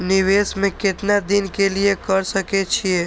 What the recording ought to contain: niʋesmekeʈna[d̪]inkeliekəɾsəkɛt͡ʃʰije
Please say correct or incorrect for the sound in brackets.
correct